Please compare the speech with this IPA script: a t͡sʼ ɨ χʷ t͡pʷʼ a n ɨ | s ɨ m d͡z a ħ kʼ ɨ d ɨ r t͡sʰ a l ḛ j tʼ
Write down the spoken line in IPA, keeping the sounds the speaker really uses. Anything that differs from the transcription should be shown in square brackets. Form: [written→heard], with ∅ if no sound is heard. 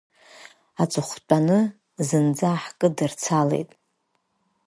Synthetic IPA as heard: a t͡sʼ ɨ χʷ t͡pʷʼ a n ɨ | [s→z] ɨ [m→n] d͡z a ħ kʼ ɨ d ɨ r t͡sʰ a l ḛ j tʼ